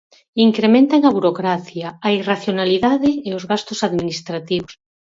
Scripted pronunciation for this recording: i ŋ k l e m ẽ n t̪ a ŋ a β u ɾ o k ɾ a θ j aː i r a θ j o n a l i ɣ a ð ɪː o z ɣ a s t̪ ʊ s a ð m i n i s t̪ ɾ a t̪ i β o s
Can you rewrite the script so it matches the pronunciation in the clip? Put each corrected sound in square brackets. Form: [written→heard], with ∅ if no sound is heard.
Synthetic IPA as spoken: i ŋ k [l→ɾ] e m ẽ n t̪ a ŋ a β u ɾ o k ɾ a θ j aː i r a θ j o n a l i [ɣ→ð] a ð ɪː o z ɣ a s t̪ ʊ s a ð m i n i s t̪ ɾ a t̪ i β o s